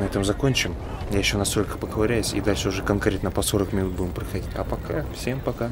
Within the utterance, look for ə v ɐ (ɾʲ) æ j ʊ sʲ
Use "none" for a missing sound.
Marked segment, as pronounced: ɾʲ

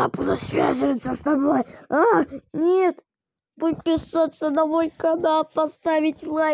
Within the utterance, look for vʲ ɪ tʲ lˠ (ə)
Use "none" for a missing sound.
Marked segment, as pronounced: a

